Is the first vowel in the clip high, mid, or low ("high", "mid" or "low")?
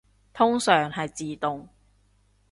high